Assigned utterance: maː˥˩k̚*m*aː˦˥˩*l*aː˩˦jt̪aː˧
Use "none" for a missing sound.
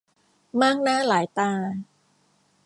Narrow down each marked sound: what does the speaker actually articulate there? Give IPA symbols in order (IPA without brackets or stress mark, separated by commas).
n, l